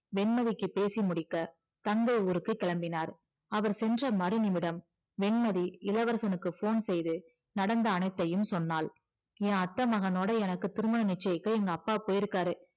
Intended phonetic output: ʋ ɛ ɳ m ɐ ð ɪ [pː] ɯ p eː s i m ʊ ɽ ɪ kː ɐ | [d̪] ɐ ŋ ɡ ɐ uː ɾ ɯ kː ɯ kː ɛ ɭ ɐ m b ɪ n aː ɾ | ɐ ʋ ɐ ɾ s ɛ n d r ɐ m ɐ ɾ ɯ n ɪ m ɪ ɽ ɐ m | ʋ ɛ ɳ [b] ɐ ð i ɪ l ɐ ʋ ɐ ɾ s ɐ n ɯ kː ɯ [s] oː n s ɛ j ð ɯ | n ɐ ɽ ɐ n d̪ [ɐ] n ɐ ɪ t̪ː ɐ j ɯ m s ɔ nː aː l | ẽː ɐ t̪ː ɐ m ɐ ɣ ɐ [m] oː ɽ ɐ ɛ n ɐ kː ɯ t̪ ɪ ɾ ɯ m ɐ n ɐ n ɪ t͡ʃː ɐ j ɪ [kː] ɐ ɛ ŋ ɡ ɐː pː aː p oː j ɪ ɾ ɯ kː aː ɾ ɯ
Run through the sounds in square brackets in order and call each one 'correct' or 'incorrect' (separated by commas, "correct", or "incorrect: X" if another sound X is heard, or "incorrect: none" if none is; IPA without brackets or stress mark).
incorrect: kː, incorrect: t̪, incorrect: m, incorrect: f, incorrect: ɐː, incorrect: n, correct